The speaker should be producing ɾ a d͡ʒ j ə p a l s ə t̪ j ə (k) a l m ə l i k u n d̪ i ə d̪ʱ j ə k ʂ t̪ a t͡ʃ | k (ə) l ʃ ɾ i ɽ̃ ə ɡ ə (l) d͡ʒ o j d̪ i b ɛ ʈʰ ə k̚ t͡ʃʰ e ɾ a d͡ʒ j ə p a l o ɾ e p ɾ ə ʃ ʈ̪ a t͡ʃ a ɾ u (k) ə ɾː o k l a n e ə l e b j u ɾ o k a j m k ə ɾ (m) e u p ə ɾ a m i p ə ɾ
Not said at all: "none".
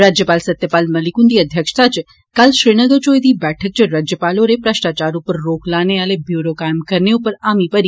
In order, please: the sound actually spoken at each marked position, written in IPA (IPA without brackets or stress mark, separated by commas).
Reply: p, a, ɾ, p, n